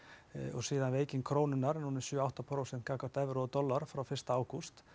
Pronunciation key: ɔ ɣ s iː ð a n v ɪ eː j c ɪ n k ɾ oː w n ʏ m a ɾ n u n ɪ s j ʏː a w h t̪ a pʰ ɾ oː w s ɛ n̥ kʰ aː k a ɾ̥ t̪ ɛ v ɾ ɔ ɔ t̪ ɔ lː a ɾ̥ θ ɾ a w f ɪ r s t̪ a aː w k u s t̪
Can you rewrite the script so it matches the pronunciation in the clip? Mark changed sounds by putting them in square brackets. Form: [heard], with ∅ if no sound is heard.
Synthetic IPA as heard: ɔ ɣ s iː ð a n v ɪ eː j c ɪ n [kʰ] ɾ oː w n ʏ [n] a ɾ n u n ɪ s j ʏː a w h t̪ a pʰ ɾ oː w s ɛ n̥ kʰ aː k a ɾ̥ t̪ ɛ v ɾ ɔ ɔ t̪ ɔ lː a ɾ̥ [f] ɾ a w f ɪ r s t̪ a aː w k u s t̪